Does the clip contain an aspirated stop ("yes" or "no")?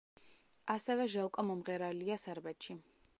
no